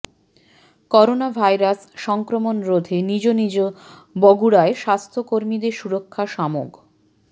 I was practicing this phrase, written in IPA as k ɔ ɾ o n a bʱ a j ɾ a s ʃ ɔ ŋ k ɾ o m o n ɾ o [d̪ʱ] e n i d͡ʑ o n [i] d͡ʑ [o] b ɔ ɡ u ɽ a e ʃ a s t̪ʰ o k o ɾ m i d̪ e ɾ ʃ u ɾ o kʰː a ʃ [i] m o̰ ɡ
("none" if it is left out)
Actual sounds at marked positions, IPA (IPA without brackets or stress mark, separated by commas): d̪ʱ, i, o, a